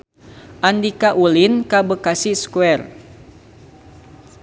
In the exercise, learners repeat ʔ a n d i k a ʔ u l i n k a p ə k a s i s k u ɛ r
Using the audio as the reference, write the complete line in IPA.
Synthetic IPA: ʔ a n d i k a ʔ u l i n k a b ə k a s i s k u ɛ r

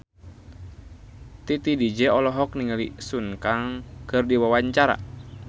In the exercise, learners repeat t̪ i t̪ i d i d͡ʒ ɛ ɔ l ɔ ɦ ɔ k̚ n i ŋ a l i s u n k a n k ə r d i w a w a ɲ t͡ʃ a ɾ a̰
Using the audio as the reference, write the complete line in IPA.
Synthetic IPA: t̪ i t̪ i d i d͡ʒ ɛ ɔ l ɔ ɦ ɔ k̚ n i ŋ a l i s u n k a ŋ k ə r d i w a w a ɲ t͡ʃ a ɾ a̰

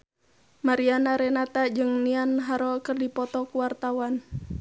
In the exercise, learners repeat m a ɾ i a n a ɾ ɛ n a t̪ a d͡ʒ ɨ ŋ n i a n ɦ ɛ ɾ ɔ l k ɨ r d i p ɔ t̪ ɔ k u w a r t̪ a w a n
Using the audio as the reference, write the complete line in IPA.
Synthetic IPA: m a ɾ i a n a ɾ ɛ n a t̪ a d͡ʒ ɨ ŋ n i a n ɦ a ɾ ɔ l k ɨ r d i p ɔ t̪ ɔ k u w a r t̪ a w a n

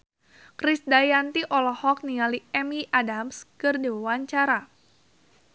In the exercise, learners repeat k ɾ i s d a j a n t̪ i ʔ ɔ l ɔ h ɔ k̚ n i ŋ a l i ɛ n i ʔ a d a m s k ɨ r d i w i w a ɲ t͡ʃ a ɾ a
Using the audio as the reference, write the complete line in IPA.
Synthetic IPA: k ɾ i s d a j a n t̪ i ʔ ɔ l ɔ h ɔ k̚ n i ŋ a l i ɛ m i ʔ a d a m s k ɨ r d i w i w a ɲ t͡ʃ a ɾ a

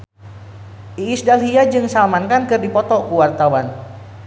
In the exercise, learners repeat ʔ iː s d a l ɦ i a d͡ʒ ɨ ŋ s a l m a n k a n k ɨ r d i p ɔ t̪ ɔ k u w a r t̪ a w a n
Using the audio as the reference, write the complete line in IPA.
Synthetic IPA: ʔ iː s d a l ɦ i a d͡ʒ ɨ ŋ s a l m a n k a n k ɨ r d i p ɔ t̪ ɔ k u w a r t̪ a w a n

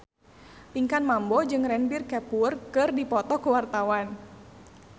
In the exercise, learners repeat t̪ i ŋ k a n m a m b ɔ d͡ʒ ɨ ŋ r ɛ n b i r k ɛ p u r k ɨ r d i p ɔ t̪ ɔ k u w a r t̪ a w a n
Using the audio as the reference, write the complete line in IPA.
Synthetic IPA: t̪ i ŋ k a n m a m b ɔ d͡ʒ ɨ ŋ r ɛ n b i r k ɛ p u r k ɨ r d i p ɔ t̪ ɔ k u w a r t̪ a w a n

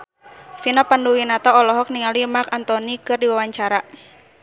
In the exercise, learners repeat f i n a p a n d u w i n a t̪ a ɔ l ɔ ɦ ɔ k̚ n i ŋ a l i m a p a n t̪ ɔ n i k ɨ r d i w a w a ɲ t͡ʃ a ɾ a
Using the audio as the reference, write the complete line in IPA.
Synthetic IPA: f i n a p a n d u w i n a t̪ a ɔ l ɔ ɦ ɔ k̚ n i ŋ a l i m a k a n t̪ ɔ n i k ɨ r d i w a w a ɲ t͡ʃ a ɾ a

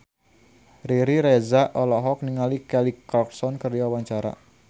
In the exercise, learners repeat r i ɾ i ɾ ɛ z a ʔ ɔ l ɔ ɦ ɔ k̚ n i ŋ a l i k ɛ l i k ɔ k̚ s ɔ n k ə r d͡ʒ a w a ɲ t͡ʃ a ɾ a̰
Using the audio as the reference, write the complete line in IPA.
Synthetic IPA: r i ɾ i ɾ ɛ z a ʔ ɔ l ɔ ɦ ɔ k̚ n i ŋ a l i k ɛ l i k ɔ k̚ s ɔ n k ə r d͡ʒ a w a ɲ t͡ʃ a ɾ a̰

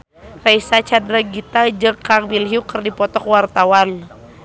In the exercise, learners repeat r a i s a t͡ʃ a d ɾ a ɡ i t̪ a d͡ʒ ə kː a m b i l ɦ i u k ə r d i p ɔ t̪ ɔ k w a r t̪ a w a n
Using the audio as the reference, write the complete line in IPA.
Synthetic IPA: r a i s a t͡ʃ a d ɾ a ɡ i t̪ a d͡ʒ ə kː a ŋ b i l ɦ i u k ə r d i p ɔ t̪ ɔ k w a r t̪ a w a n

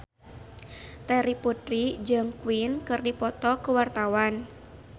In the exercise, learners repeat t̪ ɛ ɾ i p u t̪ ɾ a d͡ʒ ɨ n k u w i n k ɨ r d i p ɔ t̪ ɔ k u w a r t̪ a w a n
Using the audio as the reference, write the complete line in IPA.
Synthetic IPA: t̪ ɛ ɾ i p u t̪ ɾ i d͡ʒ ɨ ŋ k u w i n k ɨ r d i p ɔ t̪ ɔ k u w a r t̪ a w a n

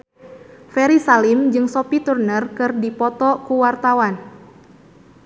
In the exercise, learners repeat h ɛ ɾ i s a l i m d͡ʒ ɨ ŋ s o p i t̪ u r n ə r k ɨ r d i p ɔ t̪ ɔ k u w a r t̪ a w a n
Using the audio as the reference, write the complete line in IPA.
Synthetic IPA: f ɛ ɾ i s a l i m d͡ʒ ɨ ŋ s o p i t̪ u r n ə r k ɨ r d i p ɔ t̪ ɔ k u w a r t̪ a w a n

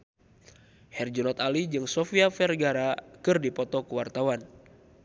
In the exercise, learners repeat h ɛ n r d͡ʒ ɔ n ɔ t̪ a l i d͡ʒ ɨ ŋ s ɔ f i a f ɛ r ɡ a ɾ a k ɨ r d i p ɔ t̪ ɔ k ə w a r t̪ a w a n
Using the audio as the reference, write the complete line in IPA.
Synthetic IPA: h ɛ r d͡ʒ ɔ n ɔ t̪ a l i d͡ʒ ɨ ŋ s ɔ f i a f ɛ r ɡ a ɾ a k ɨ r d i p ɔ t̪ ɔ k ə w a r t̪ a w a n

